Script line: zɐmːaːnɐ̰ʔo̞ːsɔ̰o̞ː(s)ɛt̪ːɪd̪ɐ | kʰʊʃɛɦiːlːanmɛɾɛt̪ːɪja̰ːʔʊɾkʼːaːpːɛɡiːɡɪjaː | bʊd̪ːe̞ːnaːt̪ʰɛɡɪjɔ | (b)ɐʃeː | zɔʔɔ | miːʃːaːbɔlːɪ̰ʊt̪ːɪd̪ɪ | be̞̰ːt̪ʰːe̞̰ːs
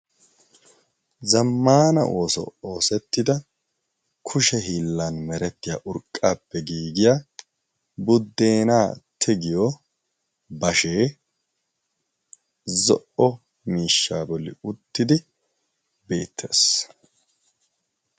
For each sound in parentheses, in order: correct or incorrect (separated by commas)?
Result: correct, correct